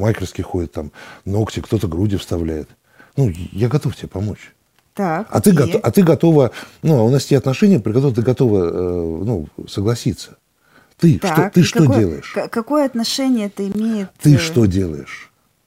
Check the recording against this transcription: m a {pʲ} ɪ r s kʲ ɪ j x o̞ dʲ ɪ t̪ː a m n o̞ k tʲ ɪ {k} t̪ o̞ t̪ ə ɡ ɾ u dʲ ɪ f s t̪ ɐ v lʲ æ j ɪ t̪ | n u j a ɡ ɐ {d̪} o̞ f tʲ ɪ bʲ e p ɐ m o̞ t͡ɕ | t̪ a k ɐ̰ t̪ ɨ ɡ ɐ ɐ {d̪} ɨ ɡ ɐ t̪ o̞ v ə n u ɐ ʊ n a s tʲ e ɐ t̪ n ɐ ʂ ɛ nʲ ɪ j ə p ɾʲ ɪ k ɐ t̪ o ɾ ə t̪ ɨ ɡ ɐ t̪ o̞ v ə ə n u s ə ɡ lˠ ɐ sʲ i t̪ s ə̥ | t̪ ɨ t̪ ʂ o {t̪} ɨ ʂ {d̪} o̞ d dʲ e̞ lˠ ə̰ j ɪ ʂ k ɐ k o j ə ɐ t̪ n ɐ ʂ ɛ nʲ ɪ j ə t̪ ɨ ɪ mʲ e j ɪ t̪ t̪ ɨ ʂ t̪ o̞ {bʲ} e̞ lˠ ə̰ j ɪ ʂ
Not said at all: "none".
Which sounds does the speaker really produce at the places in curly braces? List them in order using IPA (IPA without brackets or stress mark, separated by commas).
kʲ, k, t̪, t̪, t̪, t̪, dʲ